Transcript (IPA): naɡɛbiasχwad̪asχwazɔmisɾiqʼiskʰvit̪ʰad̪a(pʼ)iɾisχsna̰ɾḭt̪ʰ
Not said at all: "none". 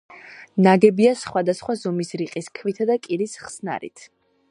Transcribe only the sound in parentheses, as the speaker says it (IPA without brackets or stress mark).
kʼ